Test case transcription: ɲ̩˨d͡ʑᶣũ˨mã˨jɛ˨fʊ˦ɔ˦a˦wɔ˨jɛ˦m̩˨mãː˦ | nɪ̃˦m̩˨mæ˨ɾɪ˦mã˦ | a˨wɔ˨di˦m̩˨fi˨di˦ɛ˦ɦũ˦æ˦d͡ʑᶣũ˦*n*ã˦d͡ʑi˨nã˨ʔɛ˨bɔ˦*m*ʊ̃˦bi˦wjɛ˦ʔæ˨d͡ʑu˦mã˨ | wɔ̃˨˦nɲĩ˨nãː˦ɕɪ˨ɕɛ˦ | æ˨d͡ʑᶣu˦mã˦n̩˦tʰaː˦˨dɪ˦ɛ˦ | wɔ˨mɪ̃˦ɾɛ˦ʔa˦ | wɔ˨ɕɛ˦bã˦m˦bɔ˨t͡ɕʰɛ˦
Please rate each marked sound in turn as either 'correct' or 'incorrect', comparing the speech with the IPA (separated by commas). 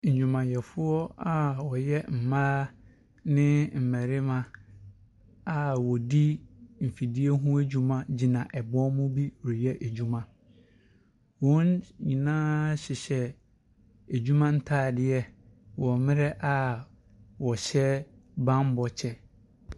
incorrect, correct